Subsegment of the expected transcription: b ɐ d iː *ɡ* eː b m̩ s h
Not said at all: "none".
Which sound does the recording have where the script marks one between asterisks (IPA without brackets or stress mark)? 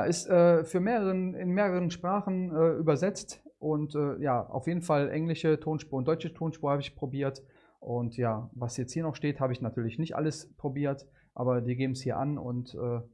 ɡ